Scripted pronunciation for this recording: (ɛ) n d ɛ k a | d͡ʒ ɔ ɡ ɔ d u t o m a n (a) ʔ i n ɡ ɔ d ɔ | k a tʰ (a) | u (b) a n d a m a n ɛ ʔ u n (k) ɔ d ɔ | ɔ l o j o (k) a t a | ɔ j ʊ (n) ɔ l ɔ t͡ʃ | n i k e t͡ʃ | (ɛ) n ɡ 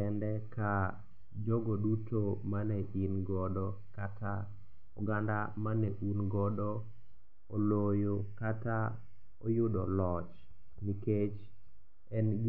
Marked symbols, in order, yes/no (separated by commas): yes, no, yes, no, no, yes, no, yes